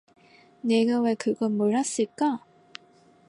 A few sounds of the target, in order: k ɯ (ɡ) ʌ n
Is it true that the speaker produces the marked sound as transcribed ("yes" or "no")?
yes